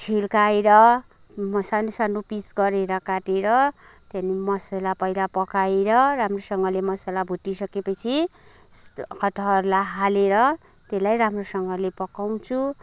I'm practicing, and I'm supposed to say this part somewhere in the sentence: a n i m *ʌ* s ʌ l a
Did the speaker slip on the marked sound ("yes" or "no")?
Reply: no